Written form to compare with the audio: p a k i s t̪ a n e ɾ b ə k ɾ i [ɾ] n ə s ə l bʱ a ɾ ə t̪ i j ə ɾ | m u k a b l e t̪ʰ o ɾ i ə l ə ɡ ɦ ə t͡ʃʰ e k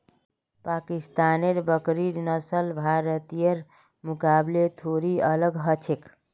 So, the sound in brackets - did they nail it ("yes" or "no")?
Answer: yes